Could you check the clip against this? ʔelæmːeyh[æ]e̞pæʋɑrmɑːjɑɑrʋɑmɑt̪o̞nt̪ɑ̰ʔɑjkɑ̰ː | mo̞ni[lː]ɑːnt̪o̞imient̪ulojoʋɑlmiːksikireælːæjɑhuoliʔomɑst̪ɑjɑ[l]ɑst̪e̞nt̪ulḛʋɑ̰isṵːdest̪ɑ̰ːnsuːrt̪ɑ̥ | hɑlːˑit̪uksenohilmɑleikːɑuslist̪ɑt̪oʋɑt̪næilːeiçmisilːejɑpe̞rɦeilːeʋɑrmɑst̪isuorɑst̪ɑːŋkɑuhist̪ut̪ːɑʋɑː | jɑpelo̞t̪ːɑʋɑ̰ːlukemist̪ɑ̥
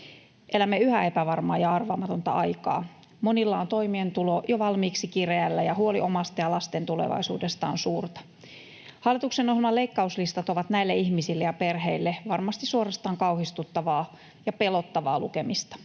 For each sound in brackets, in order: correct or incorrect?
correct, correct, correct

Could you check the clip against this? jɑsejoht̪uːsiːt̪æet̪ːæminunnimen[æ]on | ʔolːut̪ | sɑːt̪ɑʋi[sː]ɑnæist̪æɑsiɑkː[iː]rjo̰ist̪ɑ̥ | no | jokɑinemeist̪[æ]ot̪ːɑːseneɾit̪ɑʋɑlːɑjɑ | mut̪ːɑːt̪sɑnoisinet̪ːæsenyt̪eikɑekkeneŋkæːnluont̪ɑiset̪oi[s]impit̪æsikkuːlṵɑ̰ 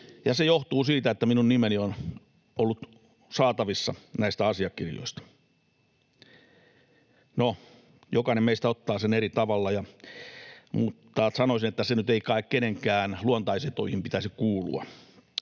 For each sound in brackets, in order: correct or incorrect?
incorrect: i, correct, incorrect: i, correct, incorrect: h

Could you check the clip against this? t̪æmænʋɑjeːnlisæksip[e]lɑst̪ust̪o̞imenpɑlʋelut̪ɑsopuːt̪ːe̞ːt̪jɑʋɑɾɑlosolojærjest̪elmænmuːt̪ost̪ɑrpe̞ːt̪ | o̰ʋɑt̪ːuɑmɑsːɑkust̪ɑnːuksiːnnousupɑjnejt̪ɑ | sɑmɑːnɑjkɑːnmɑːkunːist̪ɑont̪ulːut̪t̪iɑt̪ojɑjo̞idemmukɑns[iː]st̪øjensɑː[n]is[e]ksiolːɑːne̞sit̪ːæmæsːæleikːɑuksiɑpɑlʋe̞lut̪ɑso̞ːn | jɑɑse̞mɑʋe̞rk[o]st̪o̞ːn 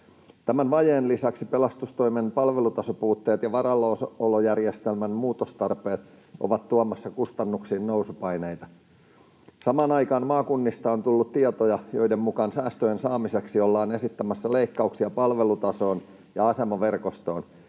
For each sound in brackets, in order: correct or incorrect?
correct, incorrect: æː, incorrect: m, correct, correct

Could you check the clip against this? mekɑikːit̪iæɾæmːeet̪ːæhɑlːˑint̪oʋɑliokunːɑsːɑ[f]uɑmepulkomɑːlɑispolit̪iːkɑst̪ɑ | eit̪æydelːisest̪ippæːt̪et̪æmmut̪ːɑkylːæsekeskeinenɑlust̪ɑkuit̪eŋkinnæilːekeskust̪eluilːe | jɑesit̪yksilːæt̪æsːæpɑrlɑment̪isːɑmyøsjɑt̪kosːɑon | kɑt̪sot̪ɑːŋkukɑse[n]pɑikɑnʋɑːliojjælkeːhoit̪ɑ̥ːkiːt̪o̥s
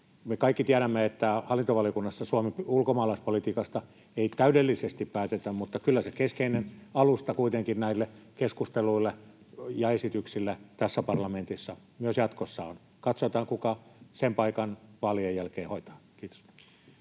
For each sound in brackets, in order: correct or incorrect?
incorrect: s, incorrect: m

